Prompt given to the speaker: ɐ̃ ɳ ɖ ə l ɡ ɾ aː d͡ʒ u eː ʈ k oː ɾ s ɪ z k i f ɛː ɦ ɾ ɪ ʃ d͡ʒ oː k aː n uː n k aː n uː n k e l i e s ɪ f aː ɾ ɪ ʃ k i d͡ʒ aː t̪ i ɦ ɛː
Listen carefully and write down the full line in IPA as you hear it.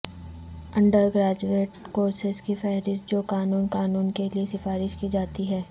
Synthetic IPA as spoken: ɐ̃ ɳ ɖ ə ɾ ɡ ɾ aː d͡ʒ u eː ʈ k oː ɾ s ɪ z k i f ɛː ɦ ɾ ɪ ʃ d͡ʒ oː k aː n uː n k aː n uː n k e l i e s ɪ f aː ɾ ɪ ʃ k i d͡ʒ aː t̪ i ɦ ɛː